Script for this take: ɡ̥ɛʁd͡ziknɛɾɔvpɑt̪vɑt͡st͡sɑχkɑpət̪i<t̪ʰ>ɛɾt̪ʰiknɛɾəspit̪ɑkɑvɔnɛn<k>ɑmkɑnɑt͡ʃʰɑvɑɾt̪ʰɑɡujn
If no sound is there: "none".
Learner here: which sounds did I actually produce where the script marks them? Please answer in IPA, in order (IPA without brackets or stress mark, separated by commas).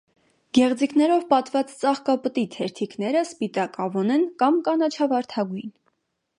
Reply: t̪ʰ, k